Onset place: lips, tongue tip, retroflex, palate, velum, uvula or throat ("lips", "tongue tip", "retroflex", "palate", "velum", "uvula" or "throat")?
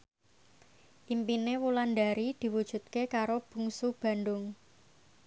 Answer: throat